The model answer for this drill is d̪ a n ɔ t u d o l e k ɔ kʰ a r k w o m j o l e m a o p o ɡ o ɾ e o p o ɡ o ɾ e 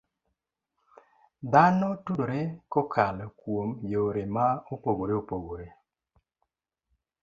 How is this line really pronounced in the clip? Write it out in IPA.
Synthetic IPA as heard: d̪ a n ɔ t u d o ɾ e k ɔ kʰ a l k w o m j o ɾ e m a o p o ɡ o ɾ e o p o ɡ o ɾ e